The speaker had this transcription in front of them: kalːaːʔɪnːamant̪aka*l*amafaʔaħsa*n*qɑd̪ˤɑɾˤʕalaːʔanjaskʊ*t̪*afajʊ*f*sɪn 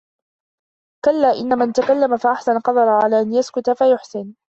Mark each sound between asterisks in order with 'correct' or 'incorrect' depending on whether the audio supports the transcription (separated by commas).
incorrect, correct, correct, incorrect